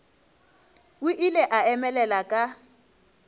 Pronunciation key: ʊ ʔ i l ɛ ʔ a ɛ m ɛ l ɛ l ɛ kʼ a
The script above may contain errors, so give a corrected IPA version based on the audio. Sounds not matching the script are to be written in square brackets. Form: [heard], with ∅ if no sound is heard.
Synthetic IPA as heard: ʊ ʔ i l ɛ ʔ a ɛ m ɛ l ɛ l [a] kʼ a